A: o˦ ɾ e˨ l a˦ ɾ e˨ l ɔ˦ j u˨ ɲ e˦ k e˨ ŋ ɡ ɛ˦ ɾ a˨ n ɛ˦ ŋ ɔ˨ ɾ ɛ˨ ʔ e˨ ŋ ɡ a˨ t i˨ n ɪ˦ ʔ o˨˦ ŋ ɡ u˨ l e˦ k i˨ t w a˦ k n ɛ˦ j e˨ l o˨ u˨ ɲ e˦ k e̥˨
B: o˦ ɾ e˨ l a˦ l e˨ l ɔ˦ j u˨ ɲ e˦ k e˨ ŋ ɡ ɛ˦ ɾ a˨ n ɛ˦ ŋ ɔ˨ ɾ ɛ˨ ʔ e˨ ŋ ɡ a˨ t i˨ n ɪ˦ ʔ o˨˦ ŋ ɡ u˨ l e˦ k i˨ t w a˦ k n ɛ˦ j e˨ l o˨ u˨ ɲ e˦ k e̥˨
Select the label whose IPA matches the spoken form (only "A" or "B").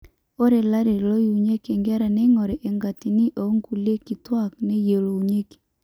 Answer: A